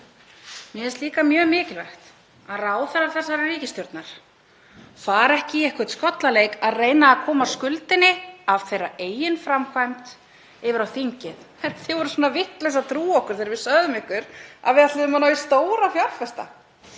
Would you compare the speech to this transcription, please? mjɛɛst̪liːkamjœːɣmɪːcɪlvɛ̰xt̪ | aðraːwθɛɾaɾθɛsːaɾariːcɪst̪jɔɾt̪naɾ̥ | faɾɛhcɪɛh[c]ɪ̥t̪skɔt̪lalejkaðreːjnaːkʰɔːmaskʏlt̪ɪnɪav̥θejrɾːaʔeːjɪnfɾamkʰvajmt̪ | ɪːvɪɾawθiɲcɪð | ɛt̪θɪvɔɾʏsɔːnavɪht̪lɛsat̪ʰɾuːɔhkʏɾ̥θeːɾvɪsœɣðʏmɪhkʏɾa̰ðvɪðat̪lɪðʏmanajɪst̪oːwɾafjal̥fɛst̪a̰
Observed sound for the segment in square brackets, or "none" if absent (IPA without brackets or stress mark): k